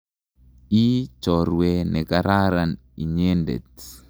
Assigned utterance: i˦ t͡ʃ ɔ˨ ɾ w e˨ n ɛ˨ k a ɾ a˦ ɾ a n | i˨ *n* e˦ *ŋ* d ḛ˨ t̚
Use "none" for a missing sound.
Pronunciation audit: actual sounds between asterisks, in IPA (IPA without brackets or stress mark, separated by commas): ɲ, n